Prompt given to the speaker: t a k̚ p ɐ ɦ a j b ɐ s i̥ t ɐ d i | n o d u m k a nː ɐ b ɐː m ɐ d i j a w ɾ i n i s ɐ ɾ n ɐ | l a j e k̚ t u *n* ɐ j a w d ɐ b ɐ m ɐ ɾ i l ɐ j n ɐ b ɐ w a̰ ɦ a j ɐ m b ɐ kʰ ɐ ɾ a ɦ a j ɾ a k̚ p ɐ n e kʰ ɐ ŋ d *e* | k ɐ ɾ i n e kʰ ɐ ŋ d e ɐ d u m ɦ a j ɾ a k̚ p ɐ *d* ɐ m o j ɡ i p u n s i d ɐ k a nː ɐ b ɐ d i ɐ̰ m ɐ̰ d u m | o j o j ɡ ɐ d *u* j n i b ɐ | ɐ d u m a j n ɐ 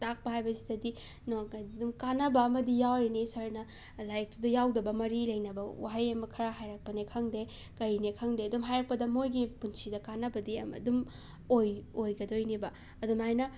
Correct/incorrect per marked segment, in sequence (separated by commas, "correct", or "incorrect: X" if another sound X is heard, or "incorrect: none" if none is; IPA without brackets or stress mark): incorrect: d, correct, correct, incorrect: o